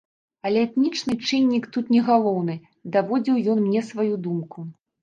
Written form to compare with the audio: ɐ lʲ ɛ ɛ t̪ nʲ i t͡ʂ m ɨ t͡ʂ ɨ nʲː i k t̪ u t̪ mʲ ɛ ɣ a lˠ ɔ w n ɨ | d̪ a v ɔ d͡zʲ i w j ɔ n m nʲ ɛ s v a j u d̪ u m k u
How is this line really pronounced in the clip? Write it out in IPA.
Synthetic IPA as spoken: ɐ lʲ ɛ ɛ t̪ nʲ i t͡ʂ n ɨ t͡ʂ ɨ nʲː i k t̪ u t̪ nʲ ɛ ɣ a lˠ ɔ w n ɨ | d̪ a v ɔ d͡zʲ i w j ɔ n m nʲ ɛ s v a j u d̪ u m k u